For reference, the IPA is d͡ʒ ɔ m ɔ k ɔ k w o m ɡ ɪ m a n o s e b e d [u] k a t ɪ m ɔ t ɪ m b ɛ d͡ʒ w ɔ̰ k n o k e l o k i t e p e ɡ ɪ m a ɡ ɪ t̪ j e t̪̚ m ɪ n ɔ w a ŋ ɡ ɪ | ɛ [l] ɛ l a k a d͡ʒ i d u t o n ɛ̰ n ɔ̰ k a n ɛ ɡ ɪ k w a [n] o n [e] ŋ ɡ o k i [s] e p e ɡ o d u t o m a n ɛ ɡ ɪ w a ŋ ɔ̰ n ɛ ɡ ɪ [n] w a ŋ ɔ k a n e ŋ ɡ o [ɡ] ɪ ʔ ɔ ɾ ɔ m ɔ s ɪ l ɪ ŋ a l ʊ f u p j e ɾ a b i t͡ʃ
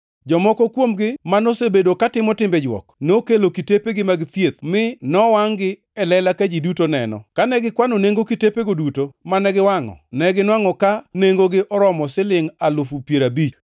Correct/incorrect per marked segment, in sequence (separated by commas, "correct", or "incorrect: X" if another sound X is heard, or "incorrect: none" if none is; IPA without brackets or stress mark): incorrect: o, correct, correct, correct, incorrect: t, correct, correct